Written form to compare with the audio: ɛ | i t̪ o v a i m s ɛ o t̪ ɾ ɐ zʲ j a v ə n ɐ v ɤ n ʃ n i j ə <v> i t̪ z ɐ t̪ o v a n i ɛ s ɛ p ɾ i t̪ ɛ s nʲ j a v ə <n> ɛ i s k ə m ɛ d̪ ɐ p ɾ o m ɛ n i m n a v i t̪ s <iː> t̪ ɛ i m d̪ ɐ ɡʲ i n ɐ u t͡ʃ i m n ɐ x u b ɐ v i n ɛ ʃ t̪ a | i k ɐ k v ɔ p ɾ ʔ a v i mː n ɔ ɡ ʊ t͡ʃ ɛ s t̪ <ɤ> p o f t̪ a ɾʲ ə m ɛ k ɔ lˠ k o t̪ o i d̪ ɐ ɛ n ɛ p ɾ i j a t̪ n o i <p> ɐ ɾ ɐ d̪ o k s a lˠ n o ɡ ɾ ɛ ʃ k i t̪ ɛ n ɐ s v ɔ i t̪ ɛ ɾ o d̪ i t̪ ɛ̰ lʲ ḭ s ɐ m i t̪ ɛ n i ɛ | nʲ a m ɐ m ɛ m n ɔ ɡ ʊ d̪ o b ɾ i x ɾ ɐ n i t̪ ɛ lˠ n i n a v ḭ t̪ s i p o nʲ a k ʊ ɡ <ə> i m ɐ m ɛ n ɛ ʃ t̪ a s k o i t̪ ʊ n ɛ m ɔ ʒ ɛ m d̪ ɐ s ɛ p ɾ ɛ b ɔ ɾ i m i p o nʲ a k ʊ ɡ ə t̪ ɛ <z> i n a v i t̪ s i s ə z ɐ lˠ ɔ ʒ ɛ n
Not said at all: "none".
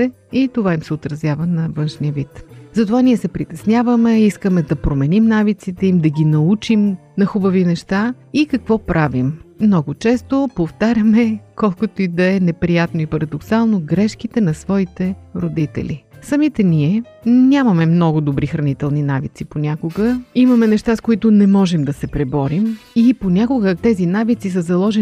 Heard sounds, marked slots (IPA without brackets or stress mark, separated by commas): v, m, i, o, p, ə, z